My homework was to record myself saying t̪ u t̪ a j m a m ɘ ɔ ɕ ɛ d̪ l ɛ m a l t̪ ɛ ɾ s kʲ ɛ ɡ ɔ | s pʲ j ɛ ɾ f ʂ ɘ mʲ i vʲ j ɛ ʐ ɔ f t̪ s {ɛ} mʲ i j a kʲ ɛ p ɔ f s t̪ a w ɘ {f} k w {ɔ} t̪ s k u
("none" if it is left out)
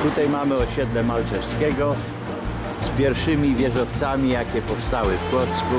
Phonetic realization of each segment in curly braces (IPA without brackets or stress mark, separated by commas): a, f, ɔ